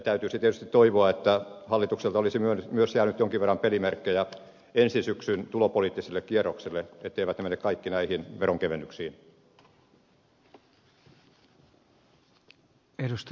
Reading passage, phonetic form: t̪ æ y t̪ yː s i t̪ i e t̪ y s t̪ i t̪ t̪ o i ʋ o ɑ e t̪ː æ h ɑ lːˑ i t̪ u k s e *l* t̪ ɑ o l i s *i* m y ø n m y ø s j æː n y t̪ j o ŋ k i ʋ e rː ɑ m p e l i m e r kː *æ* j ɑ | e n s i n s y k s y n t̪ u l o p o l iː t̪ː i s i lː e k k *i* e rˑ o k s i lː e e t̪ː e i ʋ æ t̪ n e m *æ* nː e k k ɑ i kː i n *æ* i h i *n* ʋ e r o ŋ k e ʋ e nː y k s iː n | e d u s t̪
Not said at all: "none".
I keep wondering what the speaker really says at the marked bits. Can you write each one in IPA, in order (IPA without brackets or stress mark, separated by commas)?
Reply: l, i, e, i, e, æ, n